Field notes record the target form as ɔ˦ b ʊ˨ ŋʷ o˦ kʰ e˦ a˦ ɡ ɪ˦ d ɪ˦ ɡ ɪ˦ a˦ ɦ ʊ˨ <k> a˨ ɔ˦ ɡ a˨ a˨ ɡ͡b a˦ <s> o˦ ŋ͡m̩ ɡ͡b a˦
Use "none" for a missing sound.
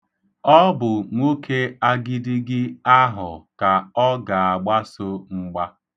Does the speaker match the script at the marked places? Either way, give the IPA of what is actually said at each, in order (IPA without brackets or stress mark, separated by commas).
k, s